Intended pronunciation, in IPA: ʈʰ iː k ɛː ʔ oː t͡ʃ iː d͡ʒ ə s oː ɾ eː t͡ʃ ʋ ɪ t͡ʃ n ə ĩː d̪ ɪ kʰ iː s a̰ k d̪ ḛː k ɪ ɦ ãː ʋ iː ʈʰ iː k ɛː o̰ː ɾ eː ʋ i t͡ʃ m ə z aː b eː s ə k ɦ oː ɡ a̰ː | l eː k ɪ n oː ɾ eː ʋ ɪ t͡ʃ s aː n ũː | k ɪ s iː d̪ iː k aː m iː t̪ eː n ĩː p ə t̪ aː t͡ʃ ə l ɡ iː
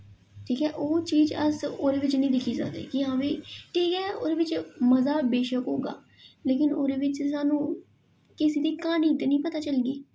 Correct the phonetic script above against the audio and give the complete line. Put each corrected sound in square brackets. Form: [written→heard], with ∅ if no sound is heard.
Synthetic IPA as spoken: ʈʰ iː k ɛː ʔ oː t͡ʃ iː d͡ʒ ə s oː ɾ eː [t͡ʃ→∅] ʋ ɪ t͡ʃ n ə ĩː d̪ ɪ kʰ iː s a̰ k d̪ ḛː k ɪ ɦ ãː ʋ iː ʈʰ iː k ɛː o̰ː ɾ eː ʋ [i→ɪ] t͡ʃ m ə z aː b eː [s→ʃ] ə k ɦ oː ɡ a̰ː | l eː k ɪ n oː ɾ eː ʋ ɪ t͡ʃ s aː n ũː | k ɪ s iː d̪ iː k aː [m→n] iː t̪ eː n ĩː p ə t̪ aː t͡ʃ ə l ɡ iː